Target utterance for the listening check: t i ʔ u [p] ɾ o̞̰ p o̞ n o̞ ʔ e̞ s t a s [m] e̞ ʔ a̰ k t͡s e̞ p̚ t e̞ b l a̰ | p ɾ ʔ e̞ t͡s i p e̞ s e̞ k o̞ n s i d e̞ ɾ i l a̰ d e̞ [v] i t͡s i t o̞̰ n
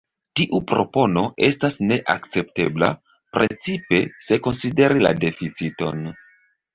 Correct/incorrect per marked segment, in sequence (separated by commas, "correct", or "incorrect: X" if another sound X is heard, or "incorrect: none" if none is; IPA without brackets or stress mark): correct, incorrect: n, incorrect: f